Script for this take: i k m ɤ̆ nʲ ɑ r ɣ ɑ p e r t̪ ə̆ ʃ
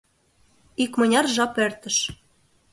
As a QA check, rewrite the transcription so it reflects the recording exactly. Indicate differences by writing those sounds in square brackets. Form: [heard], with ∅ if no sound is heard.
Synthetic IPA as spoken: i k m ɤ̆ nʲ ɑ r [ʒ] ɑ p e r t̪ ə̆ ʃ